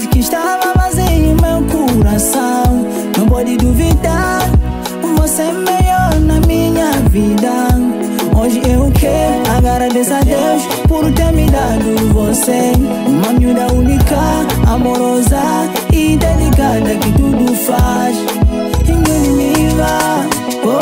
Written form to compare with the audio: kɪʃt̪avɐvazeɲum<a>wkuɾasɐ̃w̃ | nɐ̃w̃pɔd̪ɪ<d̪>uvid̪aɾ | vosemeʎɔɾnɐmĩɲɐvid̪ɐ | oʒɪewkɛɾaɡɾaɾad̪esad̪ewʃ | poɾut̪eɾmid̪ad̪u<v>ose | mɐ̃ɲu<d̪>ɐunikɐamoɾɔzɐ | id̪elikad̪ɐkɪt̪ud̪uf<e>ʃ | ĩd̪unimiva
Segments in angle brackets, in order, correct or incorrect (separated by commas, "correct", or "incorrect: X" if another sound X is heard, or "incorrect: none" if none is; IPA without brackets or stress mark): incorrect: e, correct, correct, correct, incorrect: a